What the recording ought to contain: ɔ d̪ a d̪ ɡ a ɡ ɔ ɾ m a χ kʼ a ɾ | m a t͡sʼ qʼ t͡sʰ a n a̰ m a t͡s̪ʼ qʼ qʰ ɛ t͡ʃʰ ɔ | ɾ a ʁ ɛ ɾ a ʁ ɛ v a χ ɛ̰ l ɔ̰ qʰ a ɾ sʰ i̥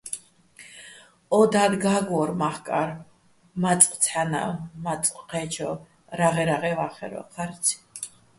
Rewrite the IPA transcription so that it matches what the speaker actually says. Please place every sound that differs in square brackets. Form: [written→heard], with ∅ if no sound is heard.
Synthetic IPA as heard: ɔ d̪ a d̪ ɡ a ɡ ɔ ɾ m a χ kʼ a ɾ | m a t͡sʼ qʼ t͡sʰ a n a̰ m a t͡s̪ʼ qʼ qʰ ɛ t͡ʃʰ ɔ | ɾ a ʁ ɛ ɾ a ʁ ɛ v a χ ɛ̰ [l→ɾ] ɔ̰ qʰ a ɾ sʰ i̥